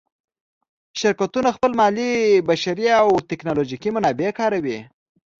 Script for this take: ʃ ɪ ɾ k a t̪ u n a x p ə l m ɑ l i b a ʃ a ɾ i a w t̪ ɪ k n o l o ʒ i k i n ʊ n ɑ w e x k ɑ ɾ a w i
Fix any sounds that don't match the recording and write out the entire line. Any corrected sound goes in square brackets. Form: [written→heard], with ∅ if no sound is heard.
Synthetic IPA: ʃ ɪ ɾ k a t̪ u n a x p ə l m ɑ l i b a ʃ a ɾ i a w t̪ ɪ k n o l o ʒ i k i [n→m] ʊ n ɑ [w→b] e [x→∅] k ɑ ɾ a w i